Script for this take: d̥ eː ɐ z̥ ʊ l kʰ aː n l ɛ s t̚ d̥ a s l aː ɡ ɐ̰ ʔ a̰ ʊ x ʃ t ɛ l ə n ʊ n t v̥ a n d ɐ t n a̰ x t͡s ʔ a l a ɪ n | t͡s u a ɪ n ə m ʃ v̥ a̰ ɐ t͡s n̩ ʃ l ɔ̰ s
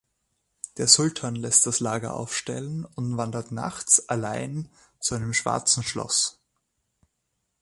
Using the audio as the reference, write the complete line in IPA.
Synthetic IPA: d̥ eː ɐ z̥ ʊ l tʰ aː n l ɛ s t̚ d̥ a s l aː ɡ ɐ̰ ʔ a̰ ʊ f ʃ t ɛ l ə n ʊ n t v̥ a n d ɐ t n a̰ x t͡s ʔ a l a ɪ n | t͡s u a ɪ n ə m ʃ v̥ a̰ ɐ t͡s n̩ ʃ l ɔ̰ s